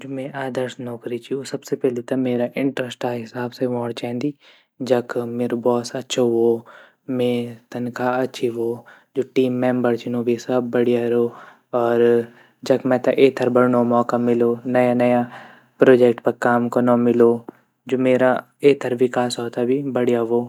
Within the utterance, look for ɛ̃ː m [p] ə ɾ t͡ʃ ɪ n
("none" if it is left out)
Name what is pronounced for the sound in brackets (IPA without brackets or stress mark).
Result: b